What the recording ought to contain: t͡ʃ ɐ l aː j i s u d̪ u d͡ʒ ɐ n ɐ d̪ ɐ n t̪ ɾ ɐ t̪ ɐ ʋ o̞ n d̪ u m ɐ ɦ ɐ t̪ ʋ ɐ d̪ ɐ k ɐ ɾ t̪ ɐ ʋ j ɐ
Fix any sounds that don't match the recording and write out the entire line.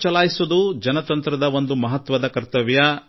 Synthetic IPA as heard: t͡ʃ ɐ l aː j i s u d̪ u d͡ʒ ɐ n ɐ t̪ ɐ n t̪ ɾ ɐ d̪ ɐ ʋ o̞ n d̪ u m ɐ ɦ ɐ t̪ ʋ ɐ d̪ ɐ k ɐ ɾ t̪ ɐ ʋ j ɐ